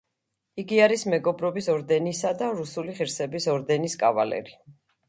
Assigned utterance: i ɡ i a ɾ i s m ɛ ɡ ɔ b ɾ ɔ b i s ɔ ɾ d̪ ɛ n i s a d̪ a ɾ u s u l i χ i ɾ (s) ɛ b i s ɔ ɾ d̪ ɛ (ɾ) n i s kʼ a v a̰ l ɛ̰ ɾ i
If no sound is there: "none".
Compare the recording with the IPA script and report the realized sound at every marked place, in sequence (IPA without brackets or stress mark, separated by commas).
s, none